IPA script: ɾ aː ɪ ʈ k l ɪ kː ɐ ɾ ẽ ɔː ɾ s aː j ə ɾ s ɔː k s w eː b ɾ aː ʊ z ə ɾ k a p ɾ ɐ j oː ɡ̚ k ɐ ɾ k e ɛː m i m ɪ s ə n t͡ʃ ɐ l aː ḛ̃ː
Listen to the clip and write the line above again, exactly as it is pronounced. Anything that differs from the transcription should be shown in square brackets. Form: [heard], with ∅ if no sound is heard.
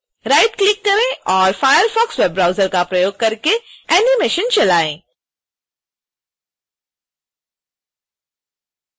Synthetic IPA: ɾ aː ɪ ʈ k l ɪ kː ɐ ɾ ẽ ɔː ɾ [f] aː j ə ɾ [f] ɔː k s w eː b ɾ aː ʊ z ə ɾ k a p ɾ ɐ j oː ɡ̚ k ɐ ɾ k e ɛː [n] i m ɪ [ʃ] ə n t͡ʃ ɐ l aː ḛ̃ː